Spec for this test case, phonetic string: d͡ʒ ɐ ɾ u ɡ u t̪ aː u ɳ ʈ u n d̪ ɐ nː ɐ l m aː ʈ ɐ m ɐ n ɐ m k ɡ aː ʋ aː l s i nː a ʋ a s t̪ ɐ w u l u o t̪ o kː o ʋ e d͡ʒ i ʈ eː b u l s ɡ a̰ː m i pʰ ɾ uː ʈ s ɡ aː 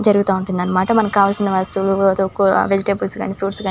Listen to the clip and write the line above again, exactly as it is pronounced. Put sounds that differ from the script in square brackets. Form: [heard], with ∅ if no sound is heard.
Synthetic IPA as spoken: d͡ʒ ɐ ɾ u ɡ u t̪ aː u ɳ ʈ u n d̪ ɐ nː ɐ [∅] m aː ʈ ɐ m ɐ n ɐ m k [k] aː ʋ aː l s i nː [ɐ] ʋ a s t̪ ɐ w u l u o t̪ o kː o ʋ e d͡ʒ i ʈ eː b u l s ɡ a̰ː [n] i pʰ ɾ uː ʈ s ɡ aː